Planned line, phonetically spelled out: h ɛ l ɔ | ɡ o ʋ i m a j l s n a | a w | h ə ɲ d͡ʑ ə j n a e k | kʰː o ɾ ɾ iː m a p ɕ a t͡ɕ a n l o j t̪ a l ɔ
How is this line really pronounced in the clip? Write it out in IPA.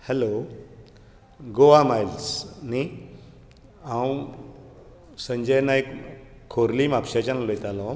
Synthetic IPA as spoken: h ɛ l o | ɡ o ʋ a m a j l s n i | a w | s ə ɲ d͡ʑ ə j n a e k | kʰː o ɾ l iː m a p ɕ a t͡ɕ a n l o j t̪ a l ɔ